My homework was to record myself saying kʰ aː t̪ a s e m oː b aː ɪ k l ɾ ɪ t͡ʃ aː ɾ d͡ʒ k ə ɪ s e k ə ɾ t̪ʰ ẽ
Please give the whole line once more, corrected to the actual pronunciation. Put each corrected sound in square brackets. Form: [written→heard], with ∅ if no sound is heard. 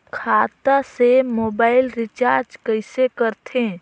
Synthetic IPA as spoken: kʰ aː t̪ a s e m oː b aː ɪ [k→∅] l ɾ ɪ t͡ʃ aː ɾ d͡ʒ k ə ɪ s e k ə ɾ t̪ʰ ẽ